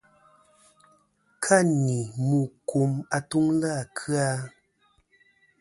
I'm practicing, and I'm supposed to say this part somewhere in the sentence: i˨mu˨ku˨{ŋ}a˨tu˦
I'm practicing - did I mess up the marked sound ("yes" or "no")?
yes